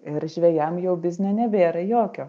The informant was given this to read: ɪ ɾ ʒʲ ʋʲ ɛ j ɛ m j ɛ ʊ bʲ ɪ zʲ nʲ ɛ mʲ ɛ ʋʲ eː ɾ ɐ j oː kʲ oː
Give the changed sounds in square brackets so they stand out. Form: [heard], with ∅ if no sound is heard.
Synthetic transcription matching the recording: ɪ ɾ ʒʲ ʋʲ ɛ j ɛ m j ɛ ʊ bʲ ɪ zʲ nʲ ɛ [nʲ] ɛ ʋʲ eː ɾ ɐ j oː kʲ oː